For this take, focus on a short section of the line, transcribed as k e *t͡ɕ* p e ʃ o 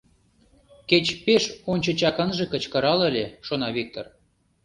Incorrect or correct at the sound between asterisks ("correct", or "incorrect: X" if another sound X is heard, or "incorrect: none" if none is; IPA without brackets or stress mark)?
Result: correct